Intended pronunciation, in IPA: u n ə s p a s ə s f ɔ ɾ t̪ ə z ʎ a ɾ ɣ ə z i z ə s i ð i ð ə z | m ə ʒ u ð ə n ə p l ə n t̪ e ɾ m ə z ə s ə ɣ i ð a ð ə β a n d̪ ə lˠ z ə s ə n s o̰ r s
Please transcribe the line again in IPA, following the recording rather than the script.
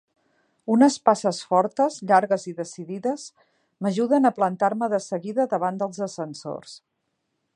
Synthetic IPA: u n ə s p a s ə s f ɔ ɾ t̪ ə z ʎ a ɾ ɣ ə z i ð ə s i ð i ð ə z | m ə ʒ u ð ə n ə p l ə n t̪ a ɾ m ə ð ə s ə ɣ i ð ə ð ə β a n d̪ ə lˠ z ə s ə n s o̰ r s